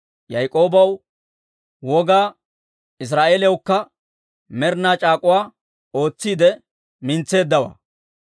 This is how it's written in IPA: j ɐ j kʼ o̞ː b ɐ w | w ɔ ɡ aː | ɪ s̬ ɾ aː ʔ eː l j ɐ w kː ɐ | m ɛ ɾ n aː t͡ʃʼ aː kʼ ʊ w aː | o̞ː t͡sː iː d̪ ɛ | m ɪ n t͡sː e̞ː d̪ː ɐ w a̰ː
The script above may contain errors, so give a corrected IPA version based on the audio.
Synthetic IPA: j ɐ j kʼ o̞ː b ɐ w | w ɔ ɡ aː | ɪ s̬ ɾ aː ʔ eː l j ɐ w kː ɐ | m ɛ ɾ n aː t͡ʃʼ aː kʼ ʊ w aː | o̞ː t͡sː iː d̪ ɛ | m ɪ n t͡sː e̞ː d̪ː ɐ w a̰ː